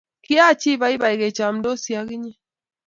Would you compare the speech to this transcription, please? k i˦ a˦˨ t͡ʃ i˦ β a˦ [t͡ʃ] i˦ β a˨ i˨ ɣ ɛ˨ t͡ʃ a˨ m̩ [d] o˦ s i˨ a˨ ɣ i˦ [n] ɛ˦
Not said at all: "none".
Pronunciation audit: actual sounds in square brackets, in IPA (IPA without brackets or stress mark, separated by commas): none, d, ɲ